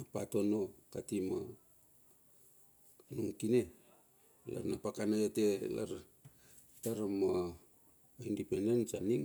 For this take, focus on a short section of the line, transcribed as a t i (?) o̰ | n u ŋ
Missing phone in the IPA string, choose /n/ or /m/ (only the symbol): m